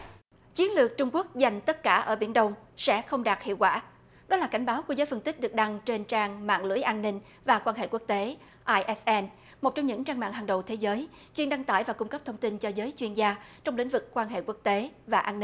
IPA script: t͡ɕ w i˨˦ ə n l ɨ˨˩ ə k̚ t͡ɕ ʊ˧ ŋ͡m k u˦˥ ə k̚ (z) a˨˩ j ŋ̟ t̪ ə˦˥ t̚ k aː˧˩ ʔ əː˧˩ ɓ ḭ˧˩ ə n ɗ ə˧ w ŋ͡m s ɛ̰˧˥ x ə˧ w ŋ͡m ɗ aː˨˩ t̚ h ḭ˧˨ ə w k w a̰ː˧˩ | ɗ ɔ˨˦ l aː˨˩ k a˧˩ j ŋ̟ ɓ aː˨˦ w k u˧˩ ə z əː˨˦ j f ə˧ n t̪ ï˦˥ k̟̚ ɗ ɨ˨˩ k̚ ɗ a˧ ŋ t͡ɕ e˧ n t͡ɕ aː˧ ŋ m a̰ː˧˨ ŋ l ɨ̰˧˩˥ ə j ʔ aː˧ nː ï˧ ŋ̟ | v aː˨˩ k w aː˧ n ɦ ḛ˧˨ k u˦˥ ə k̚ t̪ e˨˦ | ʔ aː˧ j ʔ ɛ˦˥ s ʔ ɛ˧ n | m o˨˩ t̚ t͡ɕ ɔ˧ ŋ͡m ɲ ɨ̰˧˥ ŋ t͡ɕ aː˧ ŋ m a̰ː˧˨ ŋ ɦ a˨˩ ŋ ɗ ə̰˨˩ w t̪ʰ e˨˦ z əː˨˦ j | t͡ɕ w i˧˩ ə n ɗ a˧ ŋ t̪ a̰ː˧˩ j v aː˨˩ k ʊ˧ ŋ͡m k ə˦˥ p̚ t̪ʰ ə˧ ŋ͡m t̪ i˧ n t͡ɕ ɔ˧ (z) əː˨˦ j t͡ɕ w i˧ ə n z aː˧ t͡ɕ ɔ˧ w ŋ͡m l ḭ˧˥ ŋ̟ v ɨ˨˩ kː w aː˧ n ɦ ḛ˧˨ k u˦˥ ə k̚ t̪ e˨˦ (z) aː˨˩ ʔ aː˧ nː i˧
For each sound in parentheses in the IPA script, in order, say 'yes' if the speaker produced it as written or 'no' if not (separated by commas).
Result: yes, yes, no